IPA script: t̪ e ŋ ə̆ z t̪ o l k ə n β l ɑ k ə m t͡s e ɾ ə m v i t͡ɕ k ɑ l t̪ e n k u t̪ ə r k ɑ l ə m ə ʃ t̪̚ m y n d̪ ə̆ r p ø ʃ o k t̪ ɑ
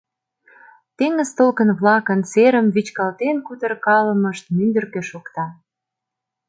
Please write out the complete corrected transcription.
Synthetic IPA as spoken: t̪ e ŋ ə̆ z t̪ o l k ə n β l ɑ k ə n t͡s e ɾ ə m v i t͡ɕ k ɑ l t̪ e n k u t̪ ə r k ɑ l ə m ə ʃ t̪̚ m y n d̪ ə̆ r k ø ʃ o k t̪ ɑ